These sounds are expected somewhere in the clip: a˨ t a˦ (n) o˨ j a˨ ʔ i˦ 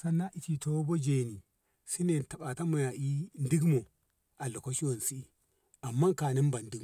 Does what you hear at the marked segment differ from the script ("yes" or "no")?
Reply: yes